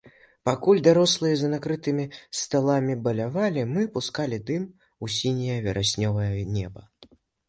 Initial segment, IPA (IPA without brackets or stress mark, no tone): p